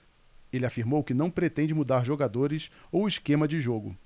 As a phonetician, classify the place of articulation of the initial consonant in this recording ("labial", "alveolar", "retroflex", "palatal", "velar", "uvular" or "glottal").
alveolar